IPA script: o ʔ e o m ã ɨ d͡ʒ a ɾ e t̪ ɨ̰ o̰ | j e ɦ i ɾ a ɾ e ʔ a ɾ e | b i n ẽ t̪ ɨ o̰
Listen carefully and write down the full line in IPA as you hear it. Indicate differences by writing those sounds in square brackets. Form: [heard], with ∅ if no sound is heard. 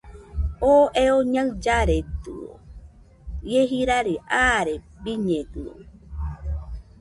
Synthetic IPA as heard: o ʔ e o [ɲ] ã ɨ d͡ʒ a ɾ e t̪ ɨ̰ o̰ | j e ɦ i ɾ a ɾ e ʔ a ɾ e | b i [ɲ] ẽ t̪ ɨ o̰